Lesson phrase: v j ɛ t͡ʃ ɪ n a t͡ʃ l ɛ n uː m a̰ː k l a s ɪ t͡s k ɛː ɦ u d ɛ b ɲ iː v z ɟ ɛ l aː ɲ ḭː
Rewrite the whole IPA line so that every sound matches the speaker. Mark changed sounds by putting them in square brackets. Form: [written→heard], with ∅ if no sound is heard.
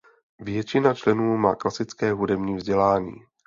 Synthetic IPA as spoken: v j ɛ t͡ʃ ɪ n a t͡ʃ l ɛ n uː m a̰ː k l a s ɪ t͡s k ɛː ɦ u d ɛ b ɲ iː v z ɟ ɛ l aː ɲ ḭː